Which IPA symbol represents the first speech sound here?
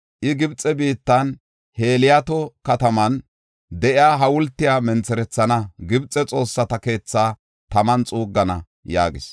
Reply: ʔ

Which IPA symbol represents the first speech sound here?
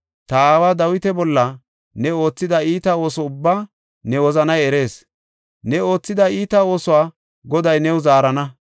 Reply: t̪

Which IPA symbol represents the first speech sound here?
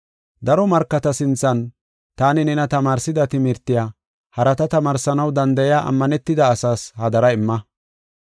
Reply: d̪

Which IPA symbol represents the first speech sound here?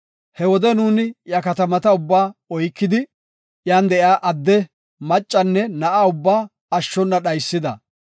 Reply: h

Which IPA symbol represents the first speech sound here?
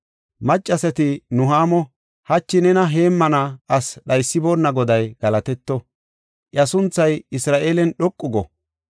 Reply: m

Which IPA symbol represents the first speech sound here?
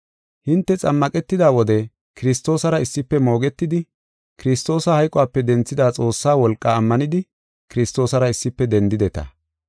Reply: h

